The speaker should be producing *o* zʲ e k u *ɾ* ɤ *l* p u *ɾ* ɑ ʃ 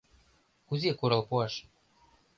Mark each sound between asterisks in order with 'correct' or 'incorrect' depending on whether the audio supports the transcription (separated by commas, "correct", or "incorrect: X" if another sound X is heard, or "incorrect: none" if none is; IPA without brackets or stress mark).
incorrect: u, correct, correct, incorrect: none